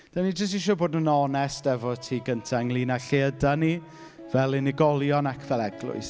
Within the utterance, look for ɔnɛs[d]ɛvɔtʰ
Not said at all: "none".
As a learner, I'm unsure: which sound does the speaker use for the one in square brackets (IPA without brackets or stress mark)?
t